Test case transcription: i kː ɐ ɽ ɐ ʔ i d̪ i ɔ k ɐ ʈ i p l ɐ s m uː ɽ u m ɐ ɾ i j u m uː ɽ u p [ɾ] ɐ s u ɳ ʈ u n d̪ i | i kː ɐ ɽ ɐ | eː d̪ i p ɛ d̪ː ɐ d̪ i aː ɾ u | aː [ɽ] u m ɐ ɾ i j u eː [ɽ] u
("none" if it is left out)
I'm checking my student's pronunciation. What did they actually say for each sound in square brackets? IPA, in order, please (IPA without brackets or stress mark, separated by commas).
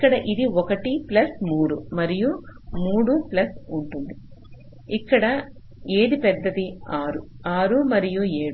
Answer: l, ɾ, ɽ